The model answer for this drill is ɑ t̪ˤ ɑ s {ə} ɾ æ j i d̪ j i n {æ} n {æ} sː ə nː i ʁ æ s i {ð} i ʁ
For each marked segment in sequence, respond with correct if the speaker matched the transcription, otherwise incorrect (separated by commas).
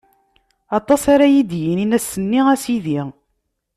incorrect, incorrect, correct, correct